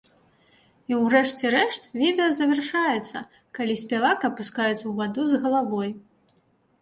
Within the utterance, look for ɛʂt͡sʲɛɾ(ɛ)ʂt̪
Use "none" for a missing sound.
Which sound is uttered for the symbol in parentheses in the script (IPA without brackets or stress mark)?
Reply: ɛ